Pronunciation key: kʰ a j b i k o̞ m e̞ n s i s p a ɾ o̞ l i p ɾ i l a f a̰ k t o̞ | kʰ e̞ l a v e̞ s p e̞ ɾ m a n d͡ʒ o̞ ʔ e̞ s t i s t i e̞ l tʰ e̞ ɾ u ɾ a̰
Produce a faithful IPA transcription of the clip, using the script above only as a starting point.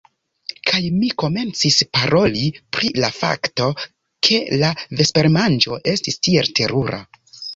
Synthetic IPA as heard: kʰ a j m i k o̞ m e̞ n t͡s i s p a ɾ o̞ l i p ɾ i l a f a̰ k t o̞ | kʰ e̞ l a v e̞ s p e̞ ɾ m a n d͡ʒ o̞ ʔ e̞ s t i s t i e̞ l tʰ e̞ ɾ u ɾ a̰